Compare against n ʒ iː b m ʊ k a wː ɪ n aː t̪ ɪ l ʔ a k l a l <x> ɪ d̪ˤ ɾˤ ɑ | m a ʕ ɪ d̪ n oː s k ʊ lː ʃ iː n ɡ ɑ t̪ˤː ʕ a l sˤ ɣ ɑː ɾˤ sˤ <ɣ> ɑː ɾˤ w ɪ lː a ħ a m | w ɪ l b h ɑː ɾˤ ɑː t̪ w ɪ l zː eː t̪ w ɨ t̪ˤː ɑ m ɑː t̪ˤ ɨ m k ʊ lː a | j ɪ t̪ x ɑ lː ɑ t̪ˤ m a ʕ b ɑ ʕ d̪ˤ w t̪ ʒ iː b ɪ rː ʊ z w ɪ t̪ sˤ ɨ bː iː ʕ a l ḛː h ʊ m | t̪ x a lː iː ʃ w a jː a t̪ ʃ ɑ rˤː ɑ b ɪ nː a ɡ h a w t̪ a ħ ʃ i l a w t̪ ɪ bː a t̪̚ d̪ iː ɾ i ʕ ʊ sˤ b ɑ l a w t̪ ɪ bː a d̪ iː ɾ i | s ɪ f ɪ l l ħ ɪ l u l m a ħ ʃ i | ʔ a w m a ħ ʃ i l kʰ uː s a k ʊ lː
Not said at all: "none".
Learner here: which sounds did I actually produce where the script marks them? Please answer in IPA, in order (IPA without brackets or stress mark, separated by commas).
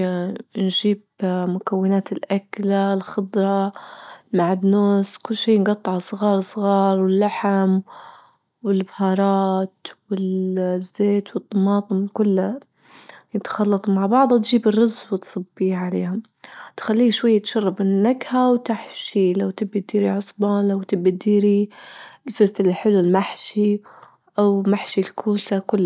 x, ɣ